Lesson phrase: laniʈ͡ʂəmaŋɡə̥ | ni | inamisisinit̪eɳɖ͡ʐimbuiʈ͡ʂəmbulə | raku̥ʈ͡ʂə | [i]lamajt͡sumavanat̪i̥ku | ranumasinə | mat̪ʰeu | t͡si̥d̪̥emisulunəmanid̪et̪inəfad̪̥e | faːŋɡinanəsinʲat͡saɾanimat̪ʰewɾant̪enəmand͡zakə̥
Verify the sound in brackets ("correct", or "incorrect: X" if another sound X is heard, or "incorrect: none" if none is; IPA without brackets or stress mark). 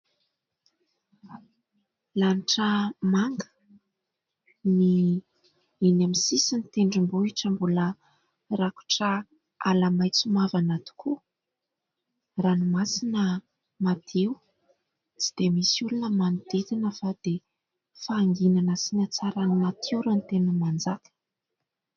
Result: incorrect: a